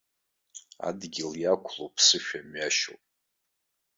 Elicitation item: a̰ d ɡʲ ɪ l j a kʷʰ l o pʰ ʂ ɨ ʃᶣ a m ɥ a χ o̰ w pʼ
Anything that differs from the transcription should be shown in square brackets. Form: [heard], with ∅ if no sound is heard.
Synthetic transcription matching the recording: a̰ d ɡʲ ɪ l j a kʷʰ l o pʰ [s] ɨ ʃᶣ a m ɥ a [ʃ] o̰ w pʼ